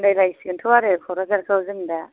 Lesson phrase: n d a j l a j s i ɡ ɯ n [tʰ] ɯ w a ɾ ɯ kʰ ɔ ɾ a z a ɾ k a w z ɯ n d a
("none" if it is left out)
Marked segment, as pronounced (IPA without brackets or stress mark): tʰ